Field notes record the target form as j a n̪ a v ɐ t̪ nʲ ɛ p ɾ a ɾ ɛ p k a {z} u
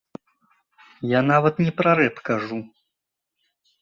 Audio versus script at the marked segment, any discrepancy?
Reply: yes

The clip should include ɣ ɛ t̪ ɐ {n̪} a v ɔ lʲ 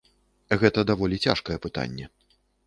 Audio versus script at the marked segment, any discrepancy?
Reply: yes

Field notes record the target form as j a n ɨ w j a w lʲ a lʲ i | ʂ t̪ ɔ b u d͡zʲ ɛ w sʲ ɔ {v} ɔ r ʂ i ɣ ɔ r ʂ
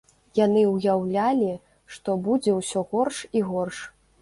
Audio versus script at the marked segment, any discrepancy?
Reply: yes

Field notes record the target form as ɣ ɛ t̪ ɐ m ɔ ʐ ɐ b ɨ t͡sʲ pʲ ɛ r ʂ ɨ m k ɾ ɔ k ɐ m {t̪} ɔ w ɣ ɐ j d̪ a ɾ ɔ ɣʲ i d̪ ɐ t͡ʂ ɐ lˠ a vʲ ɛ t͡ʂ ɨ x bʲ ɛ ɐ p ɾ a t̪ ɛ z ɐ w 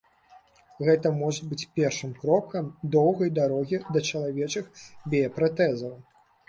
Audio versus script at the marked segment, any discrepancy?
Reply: yes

